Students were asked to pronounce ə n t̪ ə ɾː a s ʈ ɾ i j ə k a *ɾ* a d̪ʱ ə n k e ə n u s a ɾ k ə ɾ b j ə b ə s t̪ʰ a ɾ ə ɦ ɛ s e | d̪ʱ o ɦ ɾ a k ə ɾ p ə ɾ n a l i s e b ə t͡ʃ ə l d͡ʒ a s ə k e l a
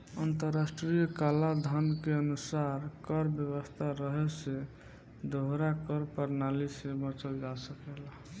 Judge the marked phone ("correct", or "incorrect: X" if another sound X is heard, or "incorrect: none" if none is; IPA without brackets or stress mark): incorrect: l